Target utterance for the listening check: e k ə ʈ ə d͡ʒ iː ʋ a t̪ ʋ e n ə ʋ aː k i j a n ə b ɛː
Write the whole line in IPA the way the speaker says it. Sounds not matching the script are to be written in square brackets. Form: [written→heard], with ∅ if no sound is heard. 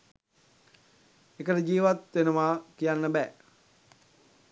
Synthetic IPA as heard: e k ə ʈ ə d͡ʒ iː ʋ a t̪ ʋ e n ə ʋ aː k i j a [n→nː] ə b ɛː